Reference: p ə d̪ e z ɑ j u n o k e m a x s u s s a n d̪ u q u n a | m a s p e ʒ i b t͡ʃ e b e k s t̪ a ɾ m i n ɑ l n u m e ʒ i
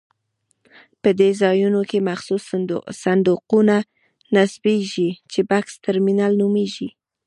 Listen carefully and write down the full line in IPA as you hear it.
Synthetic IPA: p ə d̪ e z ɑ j u n o k e m a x s u s s a n d̪ u q u n a | n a s b e ʒ i t͡ʃ e b a k s t̪ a ɾ m i n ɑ l n u m e ʒ i